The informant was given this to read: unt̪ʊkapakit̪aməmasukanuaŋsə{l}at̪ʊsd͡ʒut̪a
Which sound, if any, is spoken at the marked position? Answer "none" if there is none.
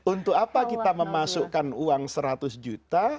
ɾ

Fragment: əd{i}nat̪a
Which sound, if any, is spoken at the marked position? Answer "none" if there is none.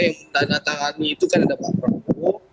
a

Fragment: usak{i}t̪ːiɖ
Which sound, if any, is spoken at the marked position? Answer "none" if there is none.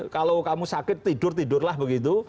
ɪ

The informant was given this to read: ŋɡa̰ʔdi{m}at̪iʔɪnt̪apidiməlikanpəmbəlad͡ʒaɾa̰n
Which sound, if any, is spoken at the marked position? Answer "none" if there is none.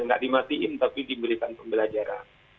m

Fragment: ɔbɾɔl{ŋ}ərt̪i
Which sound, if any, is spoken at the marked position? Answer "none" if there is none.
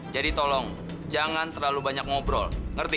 ŋ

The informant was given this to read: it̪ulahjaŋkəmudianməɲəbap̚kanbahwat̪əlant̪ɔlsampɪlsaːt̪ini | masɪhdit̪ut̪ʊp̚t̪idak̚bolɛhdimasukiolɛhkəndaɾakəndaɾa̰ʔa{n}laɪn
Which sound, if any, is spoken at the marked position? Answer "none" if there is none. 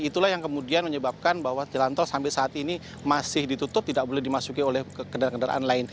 n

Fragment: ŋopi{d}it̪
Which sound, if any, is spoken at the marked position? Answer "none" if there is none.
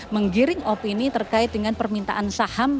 n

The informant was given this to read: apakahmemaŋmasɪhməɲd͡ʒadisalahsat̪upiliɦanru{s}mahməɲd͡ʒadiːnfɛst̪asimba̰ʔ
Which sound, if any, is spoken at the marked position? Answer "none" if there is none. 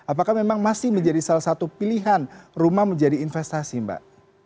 none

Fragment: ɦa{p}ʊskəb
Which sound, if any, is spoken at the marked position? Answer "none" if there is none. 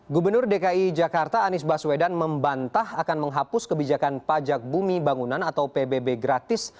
p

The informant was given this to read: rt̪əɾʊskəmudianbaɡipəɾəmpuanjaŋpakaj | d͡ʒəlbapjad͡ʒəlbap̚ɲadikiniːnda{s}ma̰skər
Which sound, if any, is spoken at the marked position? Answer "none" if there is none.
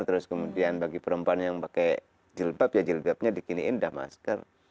h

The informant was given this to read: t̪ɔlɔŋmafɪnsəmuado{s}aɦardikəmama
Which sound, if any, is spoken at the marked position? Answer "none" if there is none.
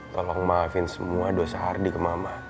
s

